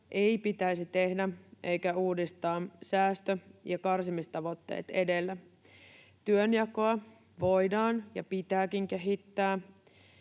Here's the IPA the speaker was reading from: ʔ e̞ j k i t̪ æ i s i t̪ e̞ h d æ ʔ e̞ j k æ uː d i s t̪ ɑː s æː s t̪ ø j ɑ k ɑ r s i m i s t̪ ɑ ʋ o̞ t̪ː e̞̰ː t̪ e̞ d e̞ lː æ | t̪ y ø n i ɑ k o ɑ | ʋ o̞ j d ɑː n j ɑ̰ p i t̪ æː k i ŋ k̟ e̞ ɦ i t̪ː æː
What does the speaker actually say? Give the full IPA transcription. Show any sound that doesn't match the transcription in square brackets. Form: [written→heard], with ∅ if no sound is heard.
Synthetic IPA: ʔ e̞ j [k→p] i t̪ æ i s i t̪ e̞ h d æ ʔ e̞ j k æ uː d i s t̪ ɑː s æː s t̪ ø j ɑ k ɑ r s i m i s t̪ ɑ ʋ o̞ t̪ː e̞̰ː t̪ e̞ d e̞ lː æ | t̪ y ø n [i→j] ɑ k o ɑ | ʋ o̞ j d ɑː n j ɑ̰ p i t̪ æː k i ŋ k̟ e̞ ɦ i t̪ː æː